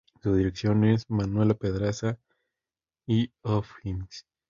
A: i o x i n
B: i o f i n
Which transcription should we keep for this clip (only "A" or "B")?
B